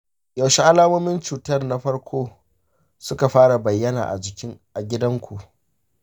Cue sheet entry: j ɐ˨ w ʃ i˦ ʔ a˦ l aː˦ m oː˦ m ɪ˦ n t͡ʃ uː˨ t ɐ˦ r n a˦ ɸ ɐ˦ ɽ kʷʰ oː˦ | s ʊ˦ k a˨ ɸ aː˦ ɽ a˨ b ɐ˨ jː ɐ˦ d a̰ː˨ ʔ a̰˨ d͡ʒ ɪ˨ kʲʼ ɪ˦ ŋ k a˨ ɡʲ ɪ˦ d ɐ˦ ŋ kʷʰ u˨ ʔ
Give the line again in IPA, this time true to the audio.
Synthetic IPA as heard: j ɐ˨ w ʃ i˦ ʔ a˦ l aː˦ m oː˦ m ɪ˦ n t͡ʃ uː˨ t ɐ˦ r n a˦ ɸ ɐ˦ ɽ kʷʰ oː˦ | s ʊ˦ k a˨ ɸ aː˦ ɽ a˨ b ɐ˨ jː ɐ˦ n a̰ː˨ ʔ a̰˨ d͡ʒ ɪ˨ kʲ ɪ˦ ŋ ʔ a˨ ɡʲ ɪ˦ d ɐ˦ ŋ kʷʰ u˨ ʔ